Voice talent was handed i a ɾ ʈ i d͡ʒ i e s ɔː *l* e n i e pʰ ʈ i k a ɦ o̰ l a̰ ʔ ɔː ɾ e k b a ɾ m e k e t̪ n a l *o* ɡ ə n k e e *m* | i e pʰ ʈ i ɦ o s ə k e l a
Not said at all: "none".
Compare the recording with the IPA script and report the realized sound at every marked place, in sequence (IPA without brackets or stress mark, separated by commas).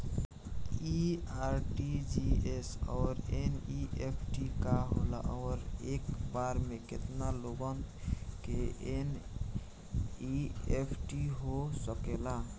ɾ, o, n